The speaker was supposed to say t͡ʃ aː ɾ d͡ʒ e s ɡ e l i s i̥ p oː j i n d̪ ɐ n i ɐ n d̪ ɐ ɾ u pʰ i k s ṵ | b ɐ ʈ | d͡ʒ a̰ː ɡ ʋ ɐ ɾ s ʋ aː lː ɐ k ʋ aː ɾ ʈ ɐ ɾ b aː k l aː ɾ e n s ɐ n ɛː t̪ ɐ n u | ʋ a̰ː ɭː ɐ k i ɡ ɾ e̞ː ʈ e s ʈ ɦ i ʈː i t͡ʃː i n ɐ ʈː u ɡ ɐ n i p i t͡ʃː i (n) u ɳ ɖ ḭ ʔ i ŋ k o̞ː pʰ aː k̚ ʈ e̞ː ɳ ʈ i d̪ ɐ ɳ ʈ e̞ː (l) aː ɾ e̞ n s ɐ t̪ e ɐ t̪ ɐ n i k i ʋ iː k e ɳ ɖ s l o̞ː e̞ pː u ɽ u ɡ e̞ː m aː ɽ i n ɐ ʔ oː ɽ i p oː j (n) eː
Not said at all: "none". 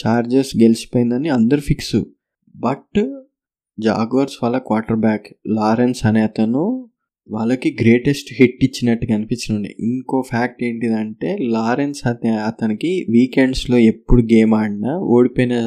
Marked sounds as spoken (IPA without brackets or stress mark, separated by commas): n, l, n